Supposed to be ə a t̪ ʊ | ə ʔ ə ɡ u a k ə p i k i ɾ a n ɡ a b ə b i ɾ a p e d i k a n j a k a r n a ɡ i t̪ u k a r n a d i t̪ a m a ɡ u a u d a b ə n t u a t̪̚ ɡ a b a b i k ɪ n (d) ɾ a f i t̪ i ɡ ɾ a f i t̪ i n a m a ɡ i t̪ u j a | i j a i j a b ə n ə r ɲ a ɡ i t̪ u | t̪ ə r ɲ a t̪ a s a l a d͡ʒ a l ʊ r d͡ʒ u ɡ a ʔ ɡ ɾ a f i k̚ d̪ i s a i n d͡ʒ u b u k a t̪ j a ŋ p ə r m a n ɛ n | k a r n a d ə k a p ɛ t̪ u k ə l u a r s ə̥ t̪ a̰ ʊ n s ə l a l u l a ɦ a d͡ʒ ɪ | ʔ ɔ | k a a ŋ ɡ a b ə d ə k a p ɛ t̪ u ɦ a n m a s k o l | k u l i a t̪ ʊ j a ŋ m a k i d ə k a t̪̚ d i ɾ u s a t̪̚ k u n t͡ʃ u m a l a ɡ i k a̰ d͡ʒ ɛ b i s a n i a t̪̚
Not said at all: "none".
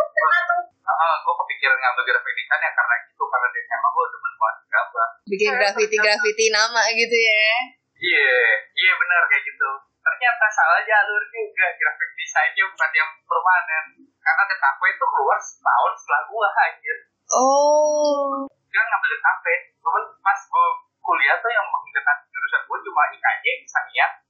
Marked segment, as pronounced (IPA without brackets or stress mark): ɡ